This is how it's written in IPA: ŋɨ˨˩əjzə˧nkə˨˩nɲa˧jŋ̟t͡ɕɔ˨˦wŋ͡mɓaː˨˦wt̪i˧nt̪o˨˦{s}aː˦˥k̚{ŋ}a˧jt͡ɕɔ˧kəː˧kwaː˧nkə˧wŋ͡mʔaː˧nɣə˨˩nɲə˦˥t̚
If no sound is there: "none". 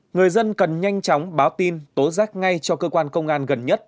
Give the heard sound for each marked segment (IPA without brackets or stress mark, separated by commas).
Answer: z, ŋ